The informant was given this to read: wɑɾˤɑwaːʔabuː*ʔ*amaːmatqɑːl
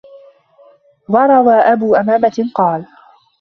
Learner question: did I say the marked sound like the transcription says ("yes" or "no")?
yes